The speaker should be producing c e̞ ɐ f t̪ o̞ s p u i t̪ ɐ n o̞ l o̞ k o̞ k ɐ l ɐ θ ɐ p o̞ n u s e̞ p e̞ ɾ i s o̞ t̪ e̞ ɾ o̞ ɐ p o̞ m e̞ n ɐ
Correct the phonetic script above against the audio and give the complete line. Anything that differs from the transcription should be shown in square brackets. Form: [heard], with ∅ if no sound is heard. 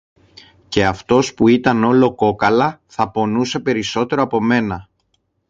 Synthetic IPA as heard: c e̞ ɐ f t̪ o̞ s p u i t̪ ɐ n o̞ l o̞ k o̞ k ɐ l ɐ θ ɐ p o̞ n u s e̞ p e̞ ɾ i s o̞ t̪ e̞ ɾ o̞ ɐ p o̞ m e̞ n ɐ